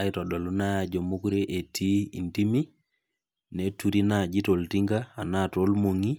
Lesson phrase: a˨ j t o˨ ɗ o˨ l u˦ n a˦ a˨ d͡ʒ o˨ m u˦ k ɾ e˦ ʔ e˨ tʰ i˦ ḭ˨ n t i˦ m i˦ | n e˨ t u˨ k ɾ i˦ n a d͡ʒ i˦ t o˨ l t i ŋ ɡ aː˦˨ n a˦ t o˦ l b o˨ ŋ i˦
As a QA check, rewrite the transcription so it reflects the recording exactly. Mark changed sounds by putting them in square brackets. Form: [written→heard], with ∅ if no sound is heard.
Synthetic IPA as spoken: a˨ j t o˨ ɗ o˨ l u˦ n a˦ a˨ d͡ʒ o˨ m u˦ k ɾ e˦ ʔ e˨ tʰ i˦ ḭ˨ n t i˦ m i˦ | n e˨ t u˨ [k→∅] ɾ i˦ n a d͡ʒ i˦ t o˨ l t i ŋ ɡ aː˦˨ n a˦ t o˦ l [b→m] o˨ ŋ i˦